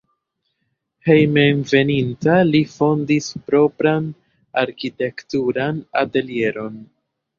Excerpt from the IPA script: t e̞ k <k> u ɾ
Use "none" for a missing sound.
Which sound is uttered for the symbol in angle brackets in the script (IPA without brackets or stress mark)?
t